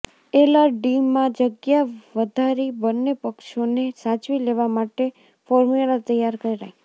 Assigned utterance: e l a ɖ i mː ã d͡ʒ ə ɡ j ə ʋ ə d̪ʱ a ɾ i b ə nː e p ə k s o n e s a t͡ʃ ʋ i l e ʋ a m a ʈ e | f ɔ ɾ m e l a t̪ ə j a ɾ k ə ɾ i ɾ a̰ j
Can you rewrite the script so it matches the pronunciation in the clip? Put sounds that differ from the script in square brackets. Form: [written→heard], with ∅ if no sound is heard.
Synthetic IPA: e l a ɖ i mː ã d͡ʒ ə ɡ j [ə→a] ʋ ə d̪ʱ a ɾ i b ə nː e p ə k [s→ʃ] o n e s a t͡ʃ ʋ i l e ʋ a m a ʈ e | f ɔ ɾ m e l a t̪ ə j a ɾ k ə ɾ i ɾ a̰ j